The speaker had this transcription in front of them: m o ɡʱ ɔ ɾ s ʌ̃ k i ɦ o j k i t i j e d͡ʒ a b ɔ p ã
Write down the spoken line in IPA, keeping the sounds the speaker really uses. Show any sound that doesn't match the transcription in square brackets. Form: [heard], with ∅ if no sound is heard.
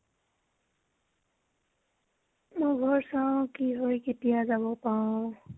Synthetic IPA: m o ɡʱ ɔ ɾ s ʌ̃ k i ɦ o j k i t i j [a] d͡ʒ a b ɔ p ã